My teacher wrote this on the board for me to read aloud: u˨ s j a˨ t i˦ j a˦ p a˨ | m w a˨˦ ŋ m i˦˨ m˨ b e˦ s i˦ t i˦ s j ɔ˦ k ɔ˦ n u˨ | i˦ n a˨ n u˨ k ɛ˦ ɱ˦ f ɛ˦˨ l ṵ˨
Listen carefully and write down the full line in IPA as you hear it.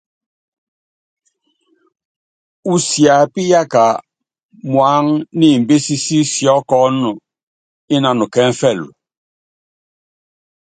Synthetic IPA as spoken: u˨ s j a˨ p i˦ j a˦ k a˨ | m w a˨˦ ŋ n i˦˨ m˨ b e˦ s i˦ s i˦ s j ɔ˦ k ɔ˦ n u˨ | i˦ n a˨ n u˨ k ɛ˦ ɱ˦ f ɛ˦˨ l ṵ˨